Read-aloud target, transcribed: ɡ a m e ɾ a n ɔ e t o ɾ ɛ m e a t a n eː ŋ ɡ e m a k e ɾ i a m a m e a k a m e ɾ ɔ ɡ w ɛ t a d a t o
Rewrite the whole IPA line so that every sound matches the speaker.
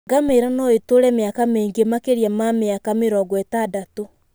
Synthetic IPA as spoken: ɡ a m e ɾ a n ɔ e t o ɾ ɛ m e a k a m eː ŋ ɡ e m a k e ɾ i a m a m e a k a m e ɾ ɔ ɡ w ɛ t a d a t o